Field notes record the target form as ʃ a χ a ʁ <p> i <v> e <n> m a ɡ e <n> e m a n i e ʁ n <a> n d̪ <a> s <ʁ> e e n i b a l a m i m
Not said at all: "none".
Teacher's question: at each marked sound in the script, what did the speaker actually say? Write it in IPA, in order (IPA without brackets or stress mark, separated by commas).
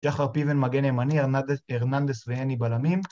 p, v, n, n, a, e, v